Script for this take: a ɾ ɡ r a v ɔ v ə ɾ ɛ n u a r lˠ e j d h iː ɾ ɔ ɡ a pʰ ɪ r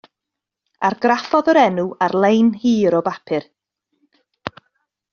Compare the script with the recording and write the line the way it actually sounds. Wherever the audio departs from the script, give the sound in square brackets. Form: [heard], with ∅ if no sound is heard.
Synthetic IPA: a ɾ ɡ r a [f] ɔ [ð] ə ɾ ɛ n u a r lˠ e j [n] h iː ɾ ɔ [b] a pʰ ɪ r